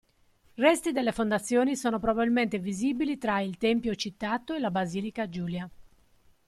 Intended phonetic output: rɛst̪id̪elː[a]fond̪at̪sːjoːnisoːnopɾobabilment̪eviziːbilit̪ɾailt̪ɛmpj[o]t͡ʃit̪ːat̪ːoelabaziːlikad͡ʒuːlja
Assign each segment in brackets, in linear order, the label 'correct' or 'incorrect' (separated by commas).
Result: incorrect, correct